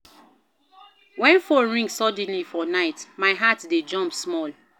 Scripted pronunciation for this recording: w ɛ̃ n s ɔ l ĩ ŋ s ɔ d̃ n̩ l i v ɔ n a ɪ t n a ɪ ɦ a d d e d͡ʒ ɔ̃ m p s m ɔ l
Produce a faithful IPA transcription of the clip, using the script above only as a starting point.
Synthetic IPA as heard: w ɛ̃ n f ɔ ɹ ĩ ŋ s ɔ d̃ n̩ l i f ɔ n a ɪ t m a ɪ ɦ a t d e d͡ʒ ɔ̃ m p s m ɔ l